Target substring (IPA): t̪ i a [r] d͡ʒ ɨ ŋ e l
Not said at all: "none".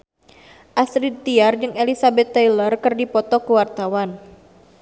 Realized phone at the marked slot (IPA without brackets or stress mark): r